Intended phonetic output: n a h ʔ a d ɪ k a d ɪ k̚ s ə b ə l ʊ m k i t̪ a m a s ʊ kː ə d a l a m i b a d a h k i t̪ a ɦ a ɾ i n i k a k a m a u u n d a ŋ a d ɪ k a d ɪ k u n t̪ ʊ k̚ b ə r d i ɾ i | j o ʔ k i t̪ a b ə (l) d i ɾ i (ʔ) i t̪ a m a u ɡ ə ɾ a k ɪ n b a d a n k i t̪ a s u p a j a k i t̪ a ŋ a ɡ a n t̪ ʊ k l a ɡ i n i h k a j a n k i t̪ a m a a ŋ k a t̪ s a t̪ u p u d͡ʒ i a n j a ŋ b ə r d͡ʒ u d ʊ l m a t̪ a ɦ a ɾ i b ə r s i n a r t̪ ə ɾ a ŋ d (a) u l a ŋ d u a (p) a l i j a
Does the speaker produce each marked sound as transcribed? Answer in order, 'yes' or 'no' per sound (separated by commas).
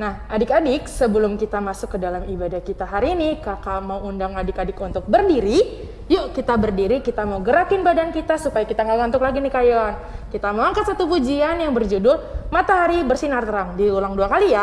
no, no, no, no